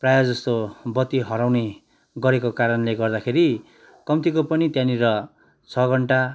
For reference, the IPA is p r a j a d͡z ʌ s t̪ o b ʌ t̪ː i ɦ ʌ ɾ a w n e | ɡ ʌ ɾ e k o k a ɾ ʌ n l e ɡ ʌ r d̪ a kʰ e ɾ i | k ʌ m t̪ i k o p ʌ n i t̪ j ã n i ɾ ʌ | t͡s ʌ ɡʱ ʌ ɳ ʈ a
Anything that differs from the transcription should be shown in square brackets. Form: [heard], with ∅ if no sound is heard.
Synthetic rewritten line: p r a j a d͡z ʌ s t̪ o b ʌ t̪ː i ɦ ʌ ɾ a w n e | ɡ ʌ ɾ e k o k a ɾ ʌ n l e ɡ ʌ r d̪ a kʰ e ɾ i | k ʌ m t̪ i k o p ʌ n i t̪ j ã n i ɾ ʌ | [t͡sʰ] ʌ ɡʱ ʌ ɳ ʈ a